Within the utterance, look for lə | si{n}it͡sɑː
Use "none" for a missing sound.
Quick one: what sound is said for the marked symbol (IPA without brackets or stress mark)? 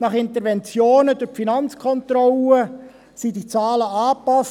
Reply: d